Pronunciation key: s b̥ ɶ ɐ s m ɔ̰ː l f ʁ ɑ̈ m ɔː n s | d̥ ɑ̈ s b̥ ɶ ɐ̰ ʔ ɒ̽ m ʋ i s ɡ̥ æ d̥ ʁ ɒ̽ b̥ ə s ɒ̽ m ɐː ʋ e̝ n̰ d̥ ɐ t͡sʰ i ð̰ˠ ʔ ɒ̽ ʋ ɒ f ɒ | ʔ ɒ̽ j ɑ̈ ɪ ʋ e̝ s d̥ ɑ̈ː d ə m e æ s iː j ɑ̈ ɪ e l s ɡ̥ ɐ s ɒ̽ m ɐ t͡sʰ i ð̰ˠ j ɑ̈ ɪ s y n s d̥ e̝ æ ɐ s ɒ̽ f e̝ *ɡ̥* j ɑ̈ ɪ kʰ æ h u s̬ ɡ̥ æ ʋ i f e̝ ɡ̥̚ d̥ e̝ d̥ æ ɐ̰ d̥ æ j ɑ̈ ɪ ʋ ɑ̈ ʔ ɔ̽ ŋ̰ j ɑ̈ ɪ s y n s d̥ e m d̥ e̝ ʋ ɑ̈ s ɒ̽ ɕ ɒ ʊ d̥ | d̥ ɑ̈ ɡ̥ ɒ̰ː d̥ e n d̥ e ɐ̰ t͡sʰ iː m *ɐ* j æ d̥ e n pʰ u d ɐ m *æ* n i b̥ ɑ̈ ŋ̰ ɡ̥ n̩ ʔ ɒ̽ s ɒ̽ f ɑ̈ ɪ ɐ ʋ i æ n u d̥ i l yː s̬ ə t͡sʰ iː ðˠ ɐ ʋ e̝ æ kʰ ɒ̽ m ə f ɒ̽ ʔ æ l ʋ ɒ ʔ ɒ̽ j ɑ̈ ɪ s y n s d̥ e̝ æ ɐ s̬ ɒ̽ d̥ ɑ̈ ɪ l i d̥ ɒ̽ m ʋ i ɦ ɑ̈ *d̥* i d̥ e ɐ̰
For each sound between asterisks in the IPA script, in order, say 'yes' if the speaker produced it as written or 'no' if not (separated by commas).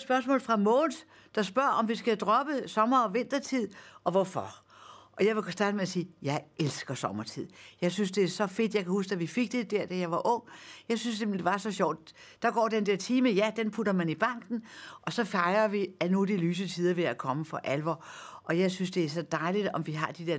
no, no, yes, yes